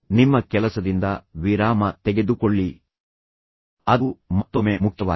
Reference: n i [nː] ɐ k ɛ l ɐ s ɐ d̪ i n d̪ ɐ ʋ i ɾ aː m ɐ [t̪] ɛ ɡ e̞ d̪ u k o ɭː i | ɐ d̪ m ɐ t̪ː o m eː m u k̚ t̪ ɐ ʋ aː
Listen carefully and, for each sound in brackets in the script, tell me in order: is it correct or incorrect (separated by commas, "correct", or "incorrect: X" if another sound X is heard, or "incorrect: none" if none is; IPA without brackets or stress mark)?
incorrect: mː, correct